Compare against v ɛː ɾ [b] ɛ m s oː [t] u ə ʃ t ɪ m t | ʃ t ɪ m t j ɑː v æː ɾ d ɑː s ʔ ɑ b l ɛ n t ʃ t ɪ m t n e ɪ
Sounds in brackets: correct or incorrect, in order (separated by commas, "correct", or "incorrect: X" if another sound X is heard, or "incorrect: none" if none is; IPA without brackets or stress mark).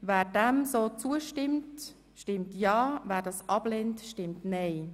incorrect: d, incorrect: t͡s